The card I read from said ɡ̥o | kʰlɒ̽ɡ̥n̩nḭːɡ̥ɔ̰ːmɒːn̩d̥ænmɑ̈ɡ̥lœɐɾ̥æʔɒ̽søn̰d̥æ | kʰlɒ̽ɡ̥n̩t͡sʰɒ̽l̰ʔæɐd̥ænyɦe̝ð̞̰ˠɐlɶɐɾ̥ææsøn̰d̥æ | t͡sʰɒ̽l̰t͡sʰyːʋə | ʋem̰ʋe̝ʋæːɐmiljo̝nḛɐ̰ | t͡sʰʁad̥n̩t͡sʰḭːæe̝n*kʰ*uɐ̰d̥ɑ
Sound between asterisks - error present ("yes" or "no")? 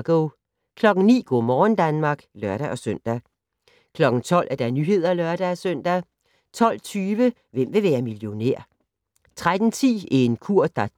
no